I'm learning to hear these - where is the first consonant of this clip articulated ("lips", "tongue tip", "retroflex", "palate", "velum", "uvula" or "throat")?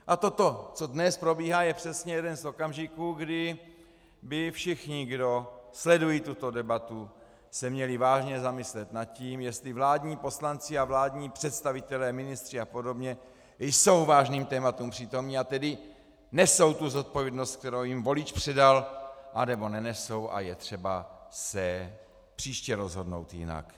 throat